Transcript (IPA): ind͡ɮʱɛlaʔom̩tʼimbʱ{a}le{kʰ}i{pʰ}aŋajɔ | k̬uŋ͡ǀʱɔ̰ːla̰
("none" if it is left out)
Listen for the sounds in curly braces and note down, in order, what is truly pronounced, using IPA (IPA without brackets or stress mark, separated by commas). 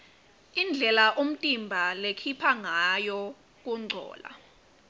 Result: a, kʰ, pʰ